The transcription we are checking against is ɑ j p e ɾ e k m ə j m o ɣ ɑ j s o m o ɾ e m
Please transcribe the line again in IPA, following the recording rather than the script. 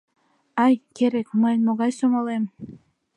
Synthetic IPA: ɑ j k e ɾ e k m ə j m o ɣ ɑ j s o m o l e m